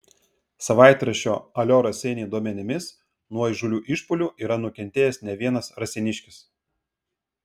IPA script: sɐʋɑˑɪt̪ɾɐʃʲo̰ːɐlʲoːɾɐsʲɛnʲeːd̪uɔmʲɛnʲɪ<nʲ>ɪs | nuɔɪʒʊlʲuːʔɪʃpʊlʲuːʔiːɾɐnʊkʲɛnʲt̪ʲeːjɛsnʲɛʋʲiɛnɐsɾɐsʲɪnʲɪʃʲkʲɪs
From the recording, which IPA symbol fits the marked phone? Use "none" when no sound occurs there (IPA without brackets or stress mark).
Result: mʲ